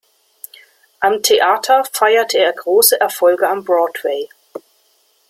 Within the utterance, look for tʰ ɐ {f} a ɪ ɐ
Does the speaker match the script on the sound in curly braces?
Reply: yes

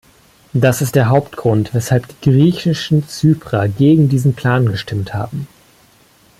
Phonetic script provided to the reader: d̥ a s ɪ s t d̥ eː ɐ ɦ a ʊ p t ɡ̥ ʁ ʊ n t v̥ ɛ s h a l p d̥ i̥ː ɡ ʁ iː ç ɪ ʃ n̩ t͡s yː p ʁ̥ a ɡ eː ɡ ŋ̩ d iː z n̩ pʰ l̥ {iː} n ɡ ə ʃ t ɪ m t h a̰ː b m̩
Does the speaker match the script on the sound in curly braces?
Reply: no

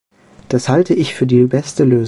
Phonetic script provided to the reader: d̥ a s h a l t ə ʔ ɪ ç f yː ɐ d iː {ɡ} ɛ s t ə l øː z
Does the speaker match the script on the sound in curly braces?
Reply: no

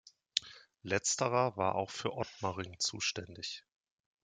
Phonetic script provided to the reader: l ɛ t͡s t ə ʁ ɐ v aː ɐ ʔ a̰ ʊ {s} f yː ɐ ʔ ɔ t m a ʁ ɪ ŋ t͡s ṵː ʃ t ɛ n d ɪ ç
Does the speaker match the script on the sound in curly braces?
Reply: no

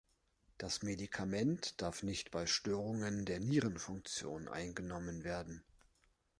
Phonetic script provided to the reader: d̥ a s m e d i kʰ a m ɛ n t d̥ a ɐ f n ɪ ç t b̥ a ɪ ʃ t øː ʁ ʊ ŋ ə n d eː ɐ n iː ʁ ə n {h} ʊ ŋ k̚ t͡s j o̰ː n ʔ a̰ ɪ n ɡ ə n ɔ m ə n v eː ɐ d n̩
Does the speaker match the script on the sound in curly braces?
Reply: no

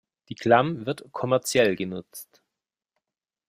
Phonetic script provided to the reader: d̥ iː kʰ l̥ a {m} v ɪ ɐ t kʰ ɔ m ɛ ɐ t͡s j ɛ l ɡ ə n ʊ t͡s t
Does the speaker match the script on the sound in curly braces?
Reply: yes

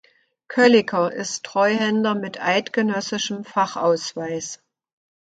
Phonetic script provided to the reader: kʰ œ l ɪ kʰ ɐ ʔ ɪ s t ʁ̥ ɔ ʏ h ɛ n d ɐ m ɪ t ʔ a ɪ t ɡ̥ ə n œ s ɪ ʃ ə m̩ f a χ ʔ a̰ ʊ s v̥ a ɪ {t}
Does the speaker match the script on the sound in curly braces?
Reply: no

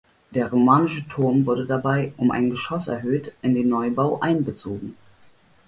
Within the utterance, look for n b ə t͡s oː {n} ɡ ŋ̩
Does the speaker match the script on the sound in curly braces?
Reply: no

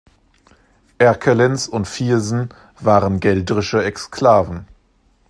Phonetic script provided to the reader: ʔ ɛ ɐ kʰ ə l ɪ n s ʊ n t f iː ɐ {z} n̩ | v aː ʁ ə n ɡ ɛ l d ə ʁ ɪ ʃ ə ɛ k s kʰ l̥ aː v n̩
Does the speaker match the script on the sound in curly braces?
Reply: yes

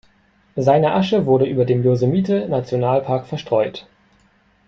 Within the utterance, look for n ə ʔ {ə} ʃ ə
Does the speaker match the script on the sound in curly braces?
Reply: no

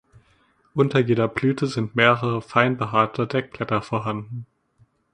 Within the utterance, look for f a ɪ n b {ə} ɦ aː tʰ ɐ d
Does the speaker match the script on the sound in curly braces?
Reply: yes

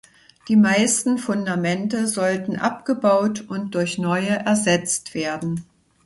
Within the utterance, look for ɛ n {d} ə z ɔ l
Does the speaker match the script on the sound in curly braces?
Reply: no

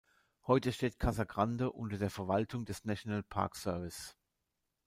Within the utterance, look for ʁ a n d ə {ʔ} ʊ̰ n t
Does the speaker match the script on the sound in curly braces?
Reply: yes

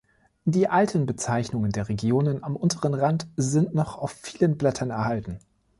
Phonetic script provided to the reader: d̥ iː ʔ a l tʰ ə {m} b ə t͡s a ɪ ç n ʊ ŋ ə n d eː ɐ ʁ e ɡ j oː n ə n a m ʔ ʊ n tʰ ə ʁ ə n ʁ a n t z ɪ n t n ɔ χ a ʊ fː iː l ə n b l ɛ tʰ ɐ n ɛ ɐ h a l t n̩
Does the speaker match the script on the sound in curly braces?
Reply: no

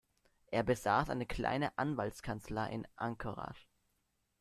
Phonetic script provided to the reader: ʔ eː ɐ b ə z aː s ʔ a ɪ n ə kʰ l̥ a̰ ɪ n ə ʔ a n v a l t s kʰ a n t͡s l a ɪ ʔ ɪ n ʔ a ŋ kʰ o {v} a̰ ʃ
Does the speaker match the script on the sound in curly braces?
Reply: no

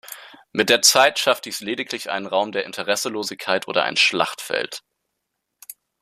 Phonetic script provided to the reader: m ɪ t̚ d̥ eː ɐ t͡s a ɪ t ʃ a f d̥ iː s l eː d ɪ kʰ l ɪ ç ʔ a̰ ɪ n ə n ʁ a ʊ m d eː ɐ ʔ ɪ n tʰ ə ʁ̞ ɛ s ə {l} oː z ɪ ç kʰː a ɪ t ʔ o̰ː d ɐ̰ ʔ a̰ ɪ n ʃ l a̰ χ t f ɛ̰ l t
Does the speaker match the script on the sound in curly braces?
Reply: yes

